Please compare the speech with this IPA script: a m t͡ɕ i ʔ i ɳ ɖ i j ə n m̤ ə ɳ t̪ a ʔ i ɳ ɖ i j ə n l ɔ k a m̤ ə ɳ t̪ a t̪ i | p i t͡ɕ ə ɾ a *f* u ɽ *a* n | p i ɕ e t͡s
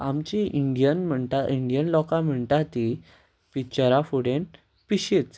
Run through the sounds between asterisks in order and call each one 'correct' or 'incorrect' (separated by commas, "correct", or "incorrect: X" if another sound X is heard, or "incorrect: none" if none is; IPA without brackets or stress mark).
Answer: correct, incorrect: e